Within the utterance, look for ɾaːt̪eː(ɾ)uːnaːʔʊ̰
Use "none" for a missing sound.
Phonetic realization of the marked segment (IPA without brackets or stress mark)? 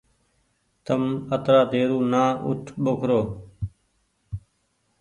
ɾ